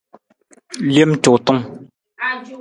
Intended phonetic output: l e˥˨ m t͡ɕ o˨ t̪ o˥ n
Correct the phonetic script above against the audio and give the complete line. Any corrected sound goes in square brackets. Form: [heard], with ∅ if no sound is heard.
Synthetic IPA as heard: l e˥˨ m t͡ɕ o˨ t̪ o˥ [ŋ]